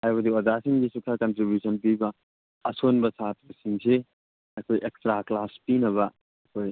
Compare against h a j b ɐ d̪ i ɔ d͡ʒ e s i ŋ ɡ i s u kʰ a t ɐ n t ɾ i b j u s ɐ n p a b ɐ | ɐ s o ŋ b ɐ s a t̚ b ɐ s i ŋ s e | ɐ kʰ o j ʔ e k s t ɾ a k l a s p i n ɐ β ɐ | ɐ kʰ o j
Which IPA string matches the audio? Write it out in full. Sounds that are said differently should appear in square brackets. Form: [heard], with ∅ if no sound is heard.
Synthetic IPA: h a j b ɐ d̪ i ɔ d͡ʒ [a] s i ŋ ɡ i s u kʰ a [k] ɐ n t ɾ i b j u s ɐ n p [i] b ɐ | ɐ s o [n] b ɐ s a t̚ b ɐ s i ŋ s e | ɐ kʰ o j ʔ e k s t ɾ a k l a s p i n ɐ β ɐ | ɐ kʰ o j